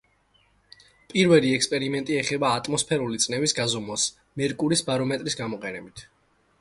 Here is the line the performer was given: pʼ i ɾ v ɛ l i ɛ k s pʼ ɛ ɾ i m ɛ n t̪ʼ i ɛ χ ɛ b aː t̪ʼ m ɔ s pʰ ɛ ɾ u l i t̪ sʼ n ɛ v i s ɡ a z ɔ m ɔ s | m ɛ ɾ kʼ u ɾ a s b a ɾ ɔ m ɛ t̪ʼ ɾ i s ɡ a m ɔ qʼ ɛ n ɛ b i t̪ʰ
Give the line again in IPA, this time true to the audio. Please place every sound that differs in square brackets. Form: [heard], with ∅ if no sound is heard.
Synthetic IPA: pʼ i ɾ v ɛ l i ɛ k s pʼ ɛ ɾ i m ɛ n t̪ʼ i ɛ χ ɛ b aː t̪ʼ m ɔ s pʰ ɛ ɾ u l i t̪ sʼ n ɛ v i s ɡ a z ɔ m ɔ s | m ɛ ɾ kʼ u ɾ [i] s b a ɾ ɔ m ɛ t̪ʼ ɾ i s ɡ a m ɔ qʼ ɛ n ɛ b i t̪ʰ

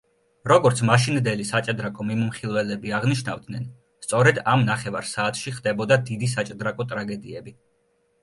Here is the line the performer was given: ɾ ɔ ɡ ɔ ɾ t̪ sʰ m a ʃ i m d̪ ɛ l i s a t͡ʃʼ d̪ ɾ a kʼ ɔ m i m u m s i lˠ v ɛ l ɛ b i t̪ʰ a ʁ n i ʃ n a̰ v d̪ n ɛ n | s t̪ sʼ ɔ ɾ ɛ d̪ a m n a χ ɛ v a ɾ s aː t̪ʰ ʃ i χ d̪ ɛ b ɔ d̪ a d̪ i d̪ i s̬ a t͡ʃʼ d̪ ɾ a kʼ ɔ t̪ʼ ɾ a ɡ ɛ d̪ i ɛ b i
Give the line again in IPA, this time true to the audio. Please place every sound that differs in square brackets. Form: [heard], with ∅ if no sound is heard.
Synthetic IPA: ɾ ɔ ɡ ɔ ɾ t̪ sʰ m a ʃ i [n] d̪ ɛ l i s a t͡ʃʼ d̪ ɾ a kʼ ɔ m i m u m [χ] i lˠ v ɛ l ɛ b i [∅] a ʁ n i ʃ n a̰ v d̪ n ɛ n | s t̪ sʼ ɔ ɾ ɛ d̪ a m n a χ ɛ v a ɾ s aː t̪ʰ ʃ i χ d̪ ɛ b ɔ d̪ a d̪ i d̪ i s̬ a t͡ʃʼ d̪ ɾ a kʼ ɔ t̪ʼ ɾ a ɡ ɛ d̪ i ɛ b i

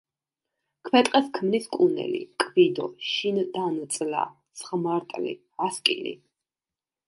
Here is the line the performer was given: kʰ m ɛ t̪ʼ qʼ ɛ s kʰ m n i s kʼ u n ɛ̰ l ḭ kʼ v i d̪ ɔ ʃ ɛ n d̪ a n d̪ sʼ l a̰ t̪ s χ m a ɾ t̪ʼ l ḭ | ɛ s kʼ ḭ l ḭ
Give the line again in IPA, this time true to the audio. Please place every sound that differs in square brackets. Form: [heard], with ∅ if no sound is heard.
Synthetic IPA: kʰ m ɛ t̪ʼ qʼ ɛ s kʰ m n i s kʼ u n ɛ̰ l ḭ kʼ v i d̪ ɔ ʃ [i] n d̪ a n [t̪] sʼ l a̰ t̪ s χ m a ɾ t̪ʼ l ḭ | [a] s kʼ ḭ l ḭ

